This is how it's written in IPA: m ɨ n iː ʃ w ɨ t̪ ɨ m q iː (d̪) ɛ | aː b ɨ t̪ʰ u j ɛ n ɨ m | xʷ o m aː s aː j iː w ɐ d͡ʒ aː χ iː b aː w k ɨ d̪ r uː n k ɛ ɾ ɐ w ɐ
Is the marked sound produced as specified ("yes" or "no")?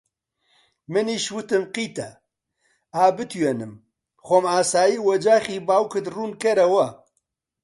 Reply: no